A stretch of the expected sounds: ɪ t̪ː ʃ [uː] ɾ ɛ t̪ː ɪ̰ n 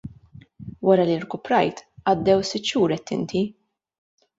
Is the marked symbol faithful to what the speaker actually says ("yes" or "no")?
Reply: yes